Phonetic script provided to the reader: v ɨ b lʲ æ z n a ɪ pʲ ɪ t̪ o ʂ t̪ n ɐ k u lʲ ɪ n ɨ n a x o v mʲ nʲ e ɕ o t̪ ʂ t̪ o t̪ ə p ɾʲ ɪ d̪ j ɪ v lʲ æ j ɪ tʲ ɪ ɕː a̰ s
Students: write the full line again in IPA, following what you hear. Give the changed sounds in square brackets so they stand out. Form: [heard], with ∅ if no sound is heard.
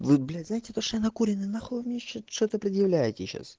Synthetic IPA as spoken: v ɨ b lʲ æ z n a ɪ [tʲ] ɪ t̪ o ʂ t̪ n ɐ k u [ɾʲ] ɪ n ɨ n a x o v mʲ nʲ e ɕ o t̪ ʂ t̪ o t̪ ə p ɾʲ ɪ d̪ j ɪ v lʲ æ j ɪ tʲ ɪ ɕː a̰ s